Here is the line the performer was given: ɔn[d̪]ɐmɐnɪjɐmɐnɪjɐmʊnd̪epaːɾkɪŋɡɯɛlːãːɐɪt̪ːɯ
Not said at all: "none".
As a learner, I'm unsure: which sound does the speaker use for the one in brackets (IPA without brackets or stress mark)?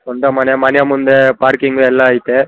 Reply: d̪